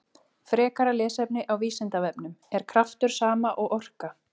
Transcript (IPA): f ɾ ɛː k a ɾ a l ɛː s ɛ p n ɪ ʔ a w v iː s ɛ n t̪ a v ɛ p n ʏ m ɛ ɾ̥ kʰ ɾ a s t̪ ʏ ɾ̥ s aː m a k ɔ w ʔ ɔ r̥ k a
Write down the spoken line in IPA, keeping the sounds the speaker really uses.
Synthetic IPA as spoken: f ɾ ɛː k a ɾ a l ɛː s ɛ p n ɪ ʔ a w v iː s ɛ n t̪ a v ɛ p n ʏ m ɛ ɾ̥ kʰ ɾ a f t̪ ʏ ɾ̥ s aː m a ʔ ɔ ɣ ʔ ɔ r̥ k a